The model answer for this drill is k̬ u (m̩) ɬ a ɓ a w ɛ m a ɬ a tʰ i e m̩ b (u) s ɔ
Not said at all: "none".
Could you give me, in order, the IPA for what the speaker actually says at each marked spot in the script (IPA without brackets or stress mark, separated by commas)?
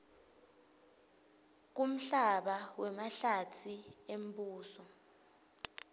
m̩, uː